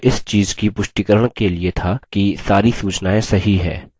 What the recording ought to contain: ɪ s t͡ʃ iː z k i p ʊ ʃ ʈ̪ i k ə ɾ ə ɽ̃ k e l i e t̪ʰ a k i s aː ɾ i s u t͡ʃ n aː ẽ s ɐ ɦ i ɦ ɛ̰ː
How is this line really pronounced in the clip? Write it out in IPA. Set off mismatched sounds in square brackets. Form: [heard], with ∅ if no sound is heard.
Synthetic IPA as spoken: ɪ s t͡ʃ iː z k i p ʊ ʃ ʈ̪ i k ə ɾ ə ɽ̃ k e l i e t̪ʰ a k i s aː ɾ i s [uː] t͡ʃ n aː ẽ s ɐ ɦ i ɦ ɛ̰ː